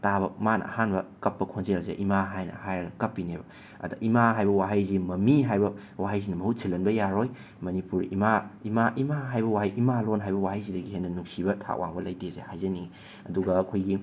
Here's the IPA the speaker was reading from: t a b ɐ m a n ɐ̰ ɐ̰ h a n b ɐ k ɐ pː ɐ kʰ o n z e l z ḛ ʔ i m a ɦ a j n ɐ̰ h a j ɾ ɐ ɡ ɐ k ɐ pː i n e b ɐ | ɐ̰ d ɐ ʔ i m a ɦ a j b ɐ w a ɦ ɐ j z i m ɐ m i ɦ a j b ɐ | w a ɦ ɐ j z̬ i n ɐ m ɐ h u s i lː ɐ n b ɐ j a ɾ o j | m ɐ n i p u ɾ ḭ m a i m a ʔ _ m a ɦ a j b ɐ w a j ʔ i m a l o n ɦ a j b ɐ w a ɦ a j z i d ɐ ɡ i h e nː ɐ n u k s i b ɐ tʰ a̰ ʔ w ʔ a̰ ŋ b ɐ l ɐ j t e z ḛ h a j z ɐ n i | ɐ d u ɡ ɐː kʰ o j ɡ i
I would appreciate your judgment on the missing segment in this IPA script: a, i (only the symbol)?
i